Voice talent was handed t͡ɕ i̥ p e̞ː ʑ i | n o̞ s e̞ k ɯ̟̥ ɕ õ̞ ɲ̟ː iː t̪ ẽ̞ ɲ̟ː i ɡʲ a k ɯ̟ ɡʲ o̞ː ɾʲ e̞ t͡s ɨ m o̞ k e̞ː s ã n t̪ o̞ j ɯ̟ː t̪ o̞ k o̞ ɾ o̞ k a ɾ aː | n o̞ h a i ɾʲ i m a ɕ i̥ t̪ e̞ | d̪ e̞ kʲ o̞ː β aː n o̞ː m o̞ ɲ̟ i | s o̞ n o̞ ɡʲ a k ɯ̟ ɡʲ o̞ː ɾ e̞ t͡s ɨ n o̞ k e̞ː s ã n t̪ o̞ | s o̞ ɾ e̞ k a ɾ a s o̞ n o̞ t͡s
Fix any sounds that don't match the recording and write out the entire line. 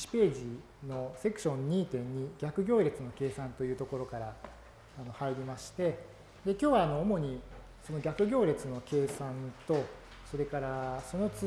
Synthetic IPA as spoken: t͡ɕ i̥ p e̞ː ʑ i | n o̞ s e̞ k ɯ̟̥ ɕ õ̞ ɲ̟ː iː t̪ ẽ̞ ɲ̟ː i ɡʲ a k ɯ̟ ɡʲ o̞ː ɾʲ e̞ t͡s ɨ n o̞ k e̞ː s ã n t̪ o̞ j ɯ̟ː t̪ o̞ k o̞ ɾ o̞ k a ɾ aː | n o̞ h a i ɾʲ i m a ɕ i̥ t̪ e̞ | d̪ e̞ kʲ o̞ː β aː n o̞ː m o̞ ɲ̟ i | s o̞ n o̞ ɡʲ a k ɯ̟ ɡʲ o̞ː ɾ e̞ t͡s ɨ n o̞ k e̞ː s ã n t̪ o̞ | s o̞ ɾ e̞ k a ɾ a s o̞ n o̞ t͡s